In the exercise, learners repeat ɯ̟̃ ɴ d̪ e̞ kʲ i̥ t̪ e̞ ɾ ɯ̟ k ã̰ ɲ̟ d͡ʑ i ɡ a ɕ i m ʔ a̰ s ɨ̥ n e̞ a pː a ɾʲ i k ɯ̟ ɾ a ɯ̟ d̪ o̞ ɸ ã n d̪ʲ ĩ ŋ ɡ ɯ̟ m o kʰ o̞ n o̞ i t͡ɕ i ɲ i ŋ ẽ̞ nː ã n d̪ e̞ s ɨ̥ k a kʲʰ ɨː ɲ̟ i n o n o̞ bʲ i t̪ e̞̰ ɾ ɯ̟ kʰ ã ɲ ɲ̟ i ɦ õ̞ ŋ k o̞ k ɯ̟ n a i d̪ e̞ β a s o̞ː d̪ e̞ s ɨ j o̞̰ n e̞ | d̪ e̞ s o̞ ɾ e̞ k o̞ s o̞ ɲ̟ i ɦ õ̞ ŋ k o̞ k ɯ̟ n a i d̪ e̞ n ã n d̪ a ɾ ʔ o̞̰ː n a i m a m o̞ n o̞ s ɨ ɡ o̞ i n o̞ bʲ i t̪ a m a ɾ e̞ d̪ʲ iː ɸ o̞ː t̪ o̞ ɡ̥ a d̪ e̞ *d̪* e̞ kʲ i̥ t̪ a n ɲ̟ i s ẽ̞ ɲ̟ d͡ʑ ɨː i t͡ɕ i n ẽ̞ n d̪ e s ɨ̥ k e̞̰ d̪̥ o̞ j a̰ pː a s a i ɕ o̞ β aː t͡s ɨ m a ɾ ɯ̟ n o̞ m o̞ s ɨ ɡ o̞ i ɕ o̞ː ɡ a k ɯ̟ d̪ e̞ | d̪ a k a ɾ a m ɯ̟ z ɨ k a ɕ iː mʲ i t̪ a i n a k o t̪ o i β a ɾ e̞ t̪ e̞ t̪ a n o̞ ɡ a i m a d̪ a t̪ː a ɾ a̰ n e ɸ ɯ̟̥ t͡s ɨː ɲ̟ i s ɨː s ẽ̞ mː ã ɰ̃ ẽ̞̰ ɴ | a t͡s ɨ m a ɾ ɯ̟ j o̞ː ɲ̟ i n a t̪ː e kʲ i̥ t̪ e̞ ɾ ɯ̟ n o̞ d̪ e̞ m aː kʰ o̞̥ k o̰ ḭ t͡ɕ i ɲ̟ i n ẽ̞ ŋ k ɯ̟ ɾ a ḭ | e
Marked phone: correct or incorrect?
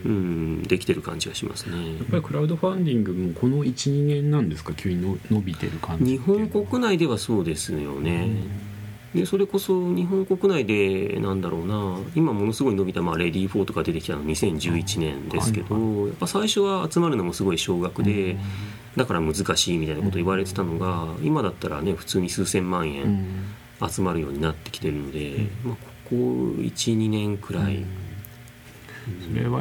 incorrect